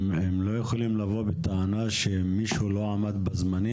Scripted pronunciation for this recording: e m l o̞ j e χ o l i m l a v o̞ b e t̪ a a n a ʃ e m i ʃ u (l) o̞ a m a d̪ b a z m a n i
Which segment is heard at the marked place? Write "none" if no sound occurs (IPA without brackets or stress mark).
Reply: l